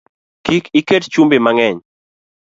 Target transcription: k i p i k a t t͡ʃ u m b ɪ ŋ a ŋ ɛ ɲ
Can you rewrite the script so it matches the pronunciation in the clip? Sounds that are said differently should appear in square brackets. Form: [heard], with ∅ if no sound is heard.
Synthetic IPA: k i [k] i k [e] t t͡ʃ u m b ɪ [m] a ŋ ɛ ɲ

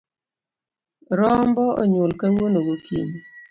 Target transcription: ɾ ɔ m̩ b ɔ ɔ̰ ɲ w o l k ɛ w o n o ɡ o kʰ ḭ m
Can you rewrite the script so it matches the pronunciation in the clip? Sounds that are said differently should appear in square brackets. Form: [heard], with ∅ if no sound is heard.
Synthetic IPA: ɾ ɔ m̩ b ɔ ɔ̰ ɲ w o l k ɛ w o n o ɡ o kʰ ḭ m

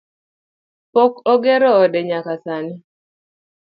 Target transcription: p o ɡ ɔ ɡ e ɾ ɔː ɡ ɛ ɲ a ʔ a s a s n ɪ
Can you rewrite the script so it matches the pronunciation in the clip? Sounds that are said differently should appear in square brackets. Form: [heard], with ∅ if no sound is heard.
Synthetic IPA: p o [k] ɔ ɡ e ɾ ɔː [d] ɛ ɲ a [k] a s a [∅] n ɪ

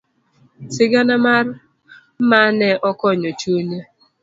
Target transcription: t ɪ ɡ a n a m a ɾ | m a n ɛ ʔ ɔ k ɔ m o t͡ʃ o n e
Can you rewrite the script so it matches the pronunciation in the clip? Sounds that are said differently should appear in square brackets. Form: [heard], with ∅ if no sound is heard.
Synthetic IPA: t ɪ ɡ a n a m a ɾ | m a n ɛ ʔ ɔ k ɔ [ɲ] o t͡ʃ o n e

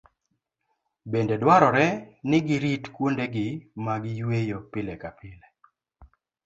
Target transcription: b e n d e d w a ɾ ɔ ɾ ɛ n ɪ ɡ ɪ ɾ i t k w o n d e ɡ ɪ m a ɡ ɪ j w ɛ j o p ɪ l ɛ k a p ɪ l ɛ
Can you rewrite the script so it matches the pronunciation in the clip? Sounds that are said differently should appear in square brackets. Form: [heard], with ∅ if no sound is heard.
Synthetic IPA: b e n d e d w a ɾ ɔ ɾ ɛ n ɪ ɡ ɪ ɾ i t k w o n d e ɡ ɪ m a ɡ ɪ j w [e] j o p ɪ l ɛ k a p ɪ l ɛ

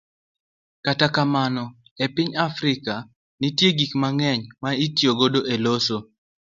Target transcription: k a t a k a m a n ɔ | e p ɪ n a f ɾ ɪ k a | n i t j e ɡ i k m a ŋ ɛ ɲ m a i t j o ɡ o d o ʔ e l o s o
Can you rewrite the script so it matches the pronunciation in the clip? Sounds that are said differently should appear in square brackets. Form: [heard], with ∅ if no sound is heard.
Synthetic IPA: k a t a k a m a n ɔ | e p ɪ [ɲ] a f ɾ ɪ k a | n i t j e ɡ i k m a ŋ ɛ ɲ m a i t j o ɡ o d o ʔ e l o s o

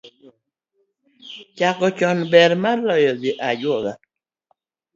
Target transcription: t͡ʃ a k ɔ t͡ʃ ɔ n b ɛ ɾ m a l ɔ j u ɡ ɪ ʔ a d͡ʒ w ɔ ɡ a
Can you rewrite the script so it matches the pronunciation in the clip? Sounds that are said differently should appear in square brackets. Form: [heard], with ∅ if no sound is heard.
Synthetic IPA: t͡ʃ a k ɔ t͡ʃ ɔ n b ɛ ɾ m a l ɔ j [ɔ] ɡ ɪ ʔ a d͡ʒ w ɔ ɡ a

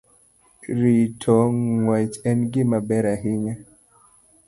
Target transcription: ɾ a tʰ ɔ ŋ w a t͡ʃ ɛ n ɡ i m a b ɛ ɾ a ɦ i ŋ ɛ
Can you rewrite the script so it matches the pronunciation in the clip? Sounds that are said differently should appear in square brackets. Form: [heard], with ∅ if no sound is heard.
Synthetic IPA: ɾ [i] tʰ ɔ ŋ w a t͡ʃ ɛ n ɡ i m a b ɛ ɾ a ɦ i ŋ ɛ

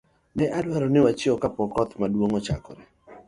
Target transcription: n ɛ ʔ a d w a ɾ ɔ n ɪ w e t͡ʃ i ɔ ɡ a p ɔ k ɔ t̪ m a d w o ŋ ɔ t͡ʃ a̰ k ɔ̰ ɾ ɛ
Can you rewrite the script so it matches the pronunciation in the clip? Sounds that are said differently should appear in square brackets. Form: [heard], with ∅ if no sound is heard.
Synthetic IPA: n ɛ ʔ a d w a ɾ ɔ n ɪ w [a] t͡ʃ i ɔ [k] a p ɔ k ɔ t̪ m a d w o ŋ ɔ t͡ʃ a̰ k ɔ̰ ɾ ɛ

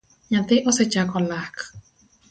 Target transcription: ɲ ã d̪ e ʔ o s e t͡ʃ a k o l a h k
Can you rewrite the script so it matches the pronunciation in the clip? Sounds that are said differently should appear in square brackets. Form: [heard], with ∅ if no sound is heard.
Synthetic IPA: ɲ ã [t̪] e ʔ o s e t͡ʃ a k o l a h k

